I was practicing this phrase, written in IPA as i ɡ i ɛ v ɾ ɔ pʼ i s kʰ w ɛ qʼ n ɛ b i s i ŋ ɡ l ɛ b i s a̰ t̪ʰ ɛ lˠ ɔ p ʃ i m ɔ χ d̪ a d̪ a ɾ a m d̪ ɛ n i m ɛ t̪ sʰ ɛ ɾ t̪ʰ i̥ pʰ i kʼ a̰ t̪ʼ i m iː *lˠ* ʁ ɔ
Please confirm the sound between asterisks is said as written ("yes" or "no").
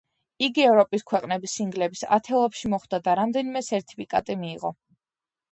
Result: no